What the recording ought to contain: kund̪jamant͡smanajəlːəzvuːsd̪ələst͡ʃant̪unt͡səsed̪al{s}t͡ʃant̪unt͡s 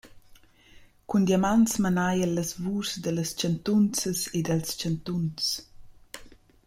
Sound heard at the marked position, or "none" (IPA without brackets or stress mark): s